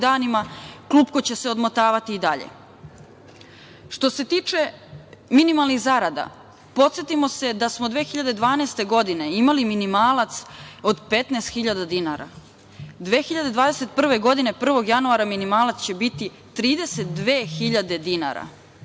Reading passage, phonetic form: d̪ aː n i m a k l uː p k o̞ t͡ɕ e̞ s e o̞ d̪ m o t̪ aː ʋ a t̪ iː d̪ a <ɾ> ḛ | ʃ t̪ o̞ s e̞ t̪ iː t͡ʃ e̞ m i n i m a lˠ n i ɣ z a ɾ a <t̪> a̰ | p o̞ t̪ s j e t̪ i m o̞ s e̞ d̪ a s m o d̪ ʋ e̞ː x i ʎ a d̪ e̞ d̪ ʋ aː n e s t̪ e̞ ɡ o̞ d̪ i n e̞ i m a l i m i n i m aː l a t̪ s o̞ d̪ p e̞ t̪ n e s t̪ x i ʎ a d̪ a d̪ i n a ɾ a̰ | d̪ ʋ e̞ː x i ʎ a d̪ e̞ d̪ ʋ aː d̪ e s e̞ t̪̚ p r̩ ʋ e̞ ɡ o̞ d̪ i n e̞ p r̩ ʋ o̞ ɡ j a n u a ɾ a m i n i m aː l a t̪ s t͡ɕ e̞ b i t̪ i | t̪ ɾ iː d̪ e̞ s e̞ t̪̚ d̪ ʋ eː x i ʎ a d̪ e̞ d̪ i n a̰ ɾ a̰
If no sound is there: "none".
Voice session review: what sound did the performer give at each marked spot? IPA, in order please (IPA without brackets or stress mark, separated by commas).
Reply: ʎ, d̪